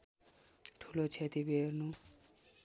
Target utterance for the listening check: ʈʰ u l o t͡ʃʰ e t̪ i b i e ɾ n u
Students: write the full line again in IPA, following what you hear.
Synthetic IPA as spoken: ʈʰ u l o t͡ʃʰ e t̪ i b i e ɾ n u